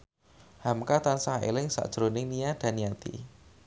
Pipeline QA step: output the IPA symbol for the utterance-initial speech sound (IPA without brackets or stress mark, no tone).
h